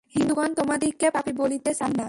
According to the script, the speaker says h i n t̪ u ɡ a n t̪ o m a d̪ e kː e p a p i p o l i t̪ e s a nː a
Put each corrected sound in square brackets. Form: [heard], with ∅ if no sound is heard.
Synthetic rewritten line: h i n [d̪] u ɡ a n t̪ o m a d̪ [i] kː e p a p i [b] o l i t̪ e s a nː a

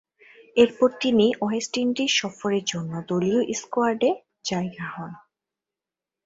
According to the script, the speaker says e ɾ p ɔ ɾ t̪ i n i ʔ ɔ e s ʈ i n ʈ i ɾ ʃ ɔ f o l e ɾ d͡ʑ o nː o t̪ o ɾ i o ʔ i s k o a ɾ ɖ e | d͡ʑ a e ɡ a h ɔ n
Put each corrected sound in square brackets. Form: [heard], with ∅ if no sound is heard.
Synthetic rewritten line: e ɾ p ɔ ɾ t̪ i n i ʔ ɔ e s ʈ i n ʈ i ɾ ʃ ɔ f o [ɾ] e ɾ d͡ʑ o nː o [d̪] o [l] i o ʔ i s k o a ɾ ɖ e | d͡ʑ a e ɡ a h ɔ n

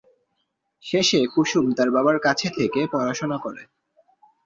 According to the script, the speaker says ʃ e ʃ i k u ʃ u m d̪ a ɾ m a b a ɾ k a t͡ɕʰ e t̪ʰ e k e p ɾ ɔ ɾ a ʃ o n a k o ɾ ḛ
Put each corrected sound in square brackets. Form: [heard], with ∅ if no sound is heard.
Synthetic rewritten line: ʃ e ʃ [e] k u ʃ u m [t̪] a ɾ [b] a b a ɾ k a t͡ɕʰ e t̪ʰ e k e p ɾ ɔ ɾ a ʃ o n a k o ɾ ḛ

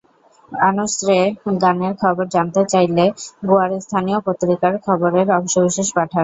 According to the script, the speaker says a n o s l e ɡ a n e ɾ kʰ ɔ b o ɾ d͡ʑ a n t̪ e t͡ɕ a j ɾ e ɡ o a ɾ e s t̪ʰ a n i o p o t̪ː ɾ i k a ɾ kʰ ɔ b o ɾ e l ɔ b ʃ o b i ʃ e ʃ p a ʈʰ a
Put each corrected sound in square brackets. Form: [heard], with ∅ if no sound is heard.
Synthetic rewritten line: a n o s [ɾ] e ɡ a n e ɾ kʰ ɔ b o ɾ d͡ʑ a n t̪ e t͡ɕ a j [l] e ɡ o a ɾ e s t̪ʰ a n i o p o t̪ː ɾ i k a ɾ kʰ ɔ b o ɾ e [ɾ] ɔ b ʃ o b i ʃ e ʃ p a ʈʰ a

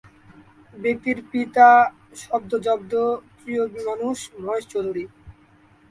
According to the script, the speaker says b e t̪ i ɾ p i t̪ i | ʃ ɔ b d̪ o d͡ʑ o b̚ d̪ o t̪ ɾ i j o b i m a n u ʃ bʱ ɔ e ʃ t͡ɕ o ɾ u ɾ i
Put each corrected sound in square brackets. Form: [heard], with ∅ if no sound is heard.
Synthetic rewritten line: b e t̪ i ɾ p i t̪ [a] | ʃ ɔ b d̪ o d͡ʑ [ɔ] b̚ d̪ o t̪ ɾ i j o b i m a n u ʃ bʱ ɔ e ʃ t͡ɕ o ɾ u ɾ i

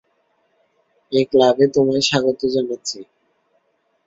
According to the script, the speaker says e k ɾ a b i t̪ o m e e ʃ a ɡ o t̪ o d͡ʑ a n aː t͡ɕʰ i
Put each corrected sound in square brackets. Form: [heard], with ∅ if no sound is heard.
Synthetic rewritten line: e k [l] a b [e] t̪ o m [a] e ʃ a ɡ o t̪ o d͡ʑ a n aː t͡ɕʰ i

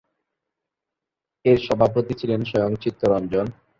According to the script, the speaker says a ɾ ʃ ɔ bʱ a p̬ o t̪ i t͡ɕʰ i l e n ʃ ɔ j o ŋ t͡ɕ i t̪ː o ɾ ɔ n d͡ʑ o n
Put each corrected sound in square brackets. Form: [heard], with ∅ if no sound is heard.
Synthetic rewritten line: [e] ɾ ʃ ɔ bʱ a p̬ o t̪ i t͡ɕʰ i l e n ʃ ɔ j o ŋ t͡ɕ i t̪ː o ɾ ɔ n d͡ʑ o n

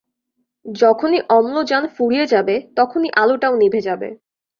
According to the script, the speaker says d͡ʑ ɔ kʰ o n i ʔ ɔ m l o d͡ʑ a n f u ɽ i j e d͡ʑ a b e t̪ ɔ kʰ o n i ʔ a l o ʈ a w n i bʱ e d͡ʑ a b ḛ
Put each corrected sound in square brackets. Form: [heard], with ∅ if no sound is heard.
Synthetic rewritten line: d͡ʑ ɔ kʰ o n i ʔ ɔ m l o d͡ʑ a n f u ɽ i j e d͡ʑ a b e t̪ ɔ kʰ o n i ʔ a l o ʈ a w n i bʱ e d͡ʑ a b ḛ

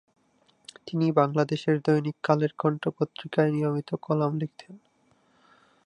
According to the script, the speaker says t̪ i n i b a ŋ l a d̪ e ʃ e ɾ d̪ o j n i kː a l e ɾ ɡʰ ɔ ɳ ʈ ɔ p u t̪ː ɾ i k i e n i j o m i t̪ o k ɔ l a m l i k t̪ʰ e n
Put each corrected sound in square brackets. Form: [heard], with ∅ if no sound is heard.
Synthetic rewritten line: t̪ i n i b a ŋ l a d̪ e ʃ e ɾ d̪ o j n i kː a l e ɾ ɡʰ ɔ ɳ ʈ [o] p [o] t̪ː ɾ i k [a] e n i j o m i t̪ o k ɔ l a m l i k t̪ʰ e n

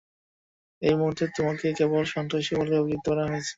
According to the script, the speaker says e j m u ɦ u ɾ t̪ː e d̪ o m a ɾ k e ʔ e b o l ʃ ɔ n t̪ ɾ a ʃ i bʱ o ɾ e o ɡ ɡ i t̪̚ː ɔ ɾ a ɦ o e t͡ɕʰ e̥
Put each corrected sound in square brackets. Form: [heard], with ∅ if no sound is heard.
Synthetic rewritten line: e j m u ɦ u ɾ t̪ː e [t̪] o m a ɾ k e [k] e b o l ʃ ɔ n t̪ ɾ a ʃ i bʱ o [l] e o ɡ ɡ i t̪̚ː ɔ ɾ a ɦ o e t͡ɕʰ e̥

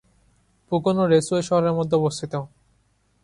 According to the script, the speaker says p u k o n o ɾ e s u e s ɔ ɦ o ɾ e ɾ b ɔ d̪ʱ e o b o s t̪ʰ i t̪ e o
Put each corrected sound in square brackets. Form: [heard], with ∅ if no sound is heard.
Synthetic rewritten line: p u k o n o ɾ e s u e [ʃ] ɔ ɦ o ɾ e ɾ [m] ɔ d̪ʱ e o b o s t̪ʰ i t̪ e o

